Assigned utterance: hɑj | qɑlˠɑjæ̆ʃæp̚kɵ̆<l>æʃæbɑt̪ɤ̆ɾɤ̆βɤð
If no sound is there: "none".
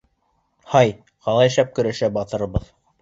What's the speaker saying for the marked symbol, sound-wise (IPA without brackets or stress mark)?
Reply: ɾ